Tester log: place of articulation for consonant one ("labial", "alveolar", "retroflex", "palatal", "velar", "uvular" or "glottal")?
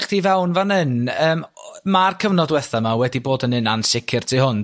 uvular